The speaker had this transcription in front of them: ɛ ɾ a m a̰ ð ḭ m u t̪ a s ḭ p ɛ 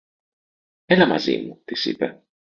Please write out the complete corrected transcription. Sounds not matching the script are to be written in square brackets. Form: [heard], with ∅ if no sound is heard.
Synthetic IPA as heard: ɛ [l] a m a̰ [z] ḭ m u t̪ [i] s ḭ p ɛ